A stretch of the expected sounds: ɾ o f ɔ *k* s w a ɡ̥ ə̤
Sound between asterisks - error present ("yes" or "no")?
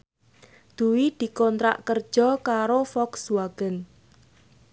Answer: no